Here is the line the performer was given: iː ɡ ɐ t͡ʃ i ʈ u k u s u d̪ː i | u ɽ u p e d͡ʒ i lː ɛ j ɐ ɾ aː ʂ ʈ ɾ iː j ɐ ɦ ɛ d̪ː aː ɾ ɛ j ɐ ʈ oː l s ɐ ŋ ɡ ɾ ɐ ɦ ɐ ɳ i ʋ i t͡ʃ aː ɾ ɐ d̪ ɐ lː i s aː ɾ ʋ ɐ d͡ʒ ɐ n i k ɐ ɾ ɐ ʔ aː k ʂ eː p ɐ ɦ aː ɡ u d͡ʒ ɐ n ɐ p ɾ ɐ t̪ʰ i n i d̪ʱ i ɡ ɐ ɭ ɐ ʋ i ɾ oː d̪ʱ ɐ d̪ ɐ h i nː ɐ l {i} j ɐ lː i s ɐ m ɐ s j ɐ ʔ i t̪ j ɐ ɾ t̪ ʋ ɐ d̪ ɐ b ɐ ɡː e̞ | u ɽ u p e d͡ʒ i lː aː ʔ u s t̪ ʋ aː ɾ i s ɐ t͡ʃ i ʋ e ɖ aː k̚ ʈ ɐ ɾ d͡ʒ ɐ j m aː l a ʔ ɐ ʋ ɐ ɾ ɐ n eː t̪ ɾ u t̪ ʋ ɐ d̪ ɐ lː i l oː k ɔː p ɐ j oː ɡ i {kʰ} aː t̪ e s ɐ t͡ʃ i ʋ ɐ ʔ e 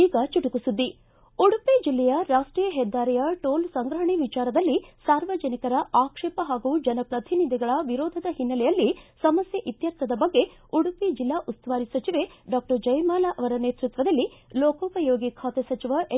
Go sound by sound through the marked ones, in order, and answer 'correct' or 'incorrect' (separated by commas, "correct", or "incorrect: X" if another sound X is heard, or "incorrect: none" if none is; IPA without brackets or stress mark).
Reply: incorrect: ɛ, correct